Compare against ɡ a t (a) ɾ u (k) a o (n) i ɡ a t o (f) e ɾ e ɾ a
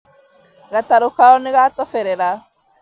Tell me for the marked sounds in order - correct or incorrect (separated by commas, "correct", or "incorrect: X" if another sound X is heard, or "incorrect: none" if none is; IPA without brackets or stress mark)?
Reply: correct, correct, correct, correct